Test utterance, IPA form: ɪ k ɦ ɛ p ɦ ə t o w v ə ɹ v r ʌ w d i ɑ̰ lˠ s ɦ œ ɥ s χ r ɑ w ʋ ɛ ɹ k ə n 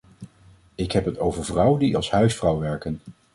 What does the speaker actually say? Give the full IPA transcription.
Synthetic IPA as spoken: ɪ k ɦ ɛ p ɦ ə t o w v ə ɹ v r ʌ w d i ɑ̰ lˠ s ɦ œ ɥ s f r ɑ w ʋ ɛ ɹ k ə n